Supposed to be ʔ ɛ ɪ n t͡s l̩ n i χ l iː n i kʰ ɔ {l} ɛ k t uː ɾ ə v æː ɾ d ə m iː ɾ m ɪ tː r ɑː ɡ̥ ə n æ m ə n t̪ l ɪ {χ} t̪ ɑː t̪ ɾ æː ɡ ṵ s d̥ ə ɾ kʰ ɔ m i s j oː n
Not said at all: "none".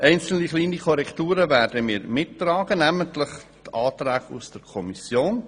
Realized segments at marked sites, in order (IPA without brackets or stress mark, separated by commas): ɾ, χ